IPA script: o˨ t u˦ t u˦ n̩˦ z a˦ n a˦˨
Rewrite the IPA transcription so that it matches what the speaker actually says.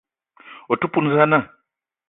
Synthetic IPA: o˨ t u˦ p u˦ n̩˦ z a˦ n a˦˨